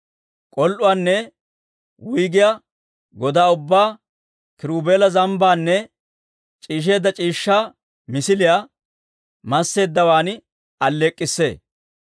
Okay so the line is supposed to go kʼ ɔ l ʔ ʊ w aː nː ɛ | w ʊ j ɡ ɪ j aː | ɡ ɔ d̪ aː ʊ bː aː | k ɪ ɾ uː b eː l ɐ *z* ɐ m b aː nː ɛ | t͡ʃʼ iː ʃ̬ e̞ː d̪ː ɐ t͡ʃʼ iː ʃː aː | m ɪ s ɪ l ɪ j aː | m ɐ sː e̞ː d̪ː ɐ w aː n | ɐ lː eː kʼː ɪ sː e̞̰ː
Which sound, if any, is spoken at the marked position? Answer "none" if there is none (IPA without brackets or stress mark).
z